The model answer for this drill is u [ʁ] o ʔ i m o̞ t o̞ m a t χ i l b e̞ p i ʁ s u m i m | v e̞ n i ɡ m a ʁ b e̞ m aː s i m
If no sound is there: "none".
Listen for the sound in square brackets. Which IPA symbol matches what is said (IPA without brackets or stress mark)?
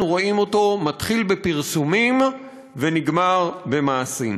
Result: ʁ